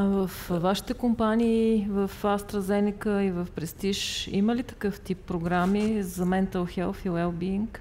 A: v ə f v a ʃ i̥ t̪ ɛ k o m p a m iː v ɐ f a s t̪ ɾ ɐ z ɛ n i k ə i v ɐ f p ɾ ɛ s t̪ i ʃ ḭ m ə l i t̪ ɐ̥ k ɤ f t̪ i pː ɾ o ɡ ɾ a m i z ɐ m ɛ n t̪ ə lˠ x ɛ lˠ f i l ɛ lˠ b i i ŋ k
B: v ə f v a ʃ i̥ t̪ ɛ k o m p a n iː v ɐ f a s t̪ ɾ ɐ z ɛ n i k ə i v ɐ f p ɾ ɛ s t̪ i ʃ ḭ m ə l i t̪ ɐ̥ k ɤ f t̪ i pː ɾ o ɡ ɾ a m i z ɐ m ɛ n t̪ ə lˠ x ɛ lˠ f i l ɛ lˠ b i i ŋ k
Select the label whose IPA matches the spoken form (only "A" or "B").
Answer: B